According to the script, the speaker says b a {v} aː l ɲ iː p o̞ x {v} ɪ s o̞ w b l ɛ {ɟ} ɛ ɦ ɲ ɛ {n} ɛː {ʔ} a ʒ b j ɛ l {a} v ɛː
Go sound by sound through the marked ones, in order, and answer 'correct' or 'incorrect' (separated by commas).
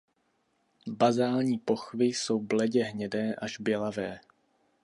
incorrect, correct, correct, incorrect, correct, correct